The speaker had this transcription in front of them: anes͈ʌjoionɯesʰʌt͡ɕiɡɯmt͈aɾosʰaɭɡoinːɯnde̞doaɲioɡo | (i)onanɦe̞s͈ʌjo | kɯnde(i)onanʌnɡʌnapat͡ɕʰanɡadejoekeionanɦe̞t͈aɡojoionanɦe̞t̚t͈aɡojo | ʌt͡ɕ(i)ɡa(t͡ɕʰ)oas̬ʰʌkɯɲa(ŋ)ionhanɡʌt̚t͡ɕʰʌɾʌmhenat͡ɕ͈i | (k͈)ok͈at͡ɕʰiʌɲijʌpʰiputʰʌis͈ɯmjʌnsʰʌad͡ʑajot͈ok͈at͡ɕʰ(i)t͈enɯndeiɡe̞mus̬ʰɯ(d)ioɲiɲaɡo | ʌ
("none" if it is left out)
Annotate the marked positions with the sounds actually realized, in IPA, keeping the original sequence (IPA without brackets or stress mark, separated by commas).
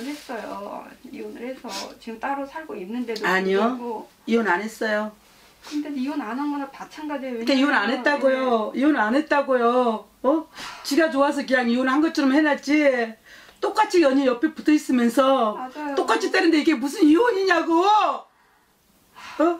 i, i, i, t͡ɕ, ŋ, t͈, i, n